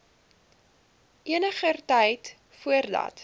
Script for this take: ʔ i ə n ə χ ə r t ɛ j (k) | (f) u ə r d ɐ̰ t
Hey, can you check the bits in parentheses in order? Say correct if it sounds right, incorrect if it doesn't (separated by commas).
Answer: incorrect, correct